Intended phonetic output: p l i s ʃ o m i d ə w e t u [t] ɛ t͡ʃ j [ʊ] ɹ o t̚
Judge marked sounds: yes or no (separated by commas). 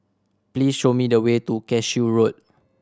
no, no